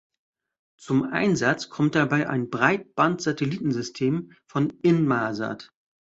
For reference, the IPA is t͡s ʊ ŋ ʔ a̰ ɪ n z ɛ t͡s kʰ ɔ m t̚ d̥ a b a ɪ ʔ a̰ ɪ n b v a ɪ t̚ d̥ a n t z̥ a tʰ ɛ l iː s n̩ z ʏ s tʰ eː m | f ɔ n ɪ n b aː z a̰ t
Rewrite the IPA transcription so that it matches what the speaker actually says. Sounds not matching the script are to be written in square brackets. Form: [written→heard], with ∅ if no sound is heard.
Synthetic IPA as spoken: t͡s ʊ [ŋ→m] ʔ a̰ ɪ n z [ɛ→a] t͡s kʰ ɔ m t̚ d̥ a b a ɪ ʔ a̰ ɪ n b [v→ʁ] a ɪ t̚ [d̥→b̥] a n t z̥ a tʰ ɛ l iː [s→t] n̩ z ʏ s tʰ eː m | f ɔ n ɪ n [b→m] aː z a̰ t